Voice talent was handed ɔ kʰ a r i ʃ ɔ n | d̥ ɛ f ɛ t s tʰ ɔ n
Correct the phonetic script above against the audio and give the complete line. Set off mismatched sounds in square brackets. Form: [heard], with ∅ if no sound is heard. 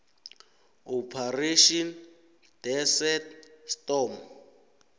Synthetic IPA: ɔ [pʰ] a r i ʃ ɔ n | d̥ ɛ [s] ɛ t s [t] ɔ [m]